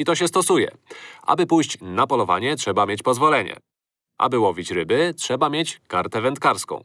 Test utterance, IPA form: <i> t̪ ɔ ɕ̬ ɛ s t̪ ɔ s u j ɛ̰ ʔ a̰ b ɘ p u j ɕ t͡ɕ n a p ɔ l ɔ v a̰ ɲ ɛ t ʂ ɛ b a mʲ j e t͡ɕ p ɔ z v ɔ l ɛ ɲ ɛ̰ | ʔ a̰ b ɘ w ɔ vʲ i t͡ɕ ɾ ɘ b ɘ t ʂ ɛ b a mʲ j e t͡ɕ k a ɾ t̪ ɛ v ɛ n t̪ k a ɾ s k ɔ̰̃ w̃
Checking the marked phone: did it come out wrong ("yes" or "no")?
no